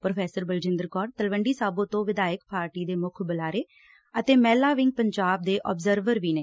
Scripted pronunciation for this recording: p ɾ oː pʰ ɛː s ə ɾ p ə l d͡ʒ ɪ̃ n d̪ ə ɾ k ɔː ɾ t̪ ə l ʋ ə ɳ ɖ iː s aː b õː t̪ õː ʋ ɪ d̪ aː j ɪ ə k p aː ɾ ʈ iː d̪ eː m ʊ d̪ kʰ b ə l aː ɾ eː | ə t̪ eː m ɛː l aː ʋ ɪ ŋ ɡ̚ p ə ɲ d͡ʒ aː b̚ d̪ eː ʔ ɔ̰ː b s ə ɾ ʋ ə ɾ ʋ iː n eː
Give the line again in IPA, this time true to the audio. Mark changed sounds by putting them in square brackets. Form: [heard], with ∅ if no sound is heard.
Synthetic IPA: p ɾ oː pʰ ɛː s ə ɾ [b] ə l d͡ʒ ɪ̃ n d̪ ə ɾ k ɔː ɾ t̪ ə l ʋ ə ɳ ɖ iː s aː b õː t̪ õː ʋ ɪ d̪ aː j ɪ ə k p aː ɾ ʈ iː d̪ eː m ʊ [∅] kʰ b ə l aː ɾ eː | ə t̪ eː m ɛː l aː ʋ ɪ ŋ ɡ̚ p ə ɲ d͡ʒ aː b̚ d̪ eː ʔ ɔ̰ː b [z] ə ɾ ʋ ə ɾ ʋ iː n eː